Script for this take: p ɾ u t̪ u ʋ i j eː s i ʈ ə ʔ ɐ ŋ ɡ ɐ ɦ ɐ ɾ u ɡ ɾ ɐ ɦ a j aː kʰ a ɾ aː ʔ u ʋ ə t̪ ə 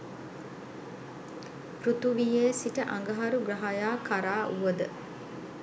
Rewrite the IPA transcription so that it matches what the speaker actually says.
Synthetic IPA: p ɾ u t̪ u ʋ i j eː s i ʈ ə ʔ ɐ ŋ ɡ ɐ ɦ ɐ ɾ u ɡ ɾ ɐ ɦ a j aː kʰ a ɾ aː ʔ u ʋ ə d̪ ə